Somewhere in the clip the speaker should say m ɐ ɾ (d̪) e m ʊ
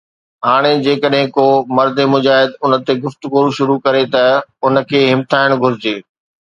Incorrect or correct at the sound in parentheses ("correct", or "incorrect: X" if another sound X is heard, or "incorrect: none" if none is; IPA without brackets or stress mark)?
correct